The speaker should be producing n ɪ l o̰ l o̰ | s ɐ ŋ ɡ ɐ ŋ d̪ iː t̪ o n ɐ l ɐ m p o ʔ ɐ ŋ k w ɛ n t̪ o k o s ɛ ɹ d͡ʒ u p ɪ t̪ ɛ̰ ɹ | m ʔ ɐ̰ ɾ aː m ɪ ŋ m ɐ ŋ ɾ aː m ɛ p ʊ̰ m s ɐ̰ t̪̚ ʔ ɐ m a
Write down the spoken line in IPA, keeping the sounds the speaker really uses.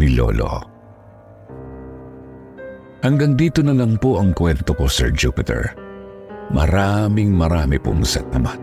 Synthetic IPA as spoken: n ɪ l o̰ l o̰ | h ɐ ŋ ɡ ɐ ŋ d̪ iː t̪ o n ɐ l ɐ ŋ p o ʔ ɐ ŋ k w ɛ n t̪ o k o s ɛ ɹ d͡ʒ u p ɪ t̪ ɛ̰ ɹ | m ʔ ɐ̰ ɾ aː m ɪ ŋ m ɐ ɾ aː m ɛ p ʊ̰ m s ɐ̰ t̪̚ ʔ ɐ m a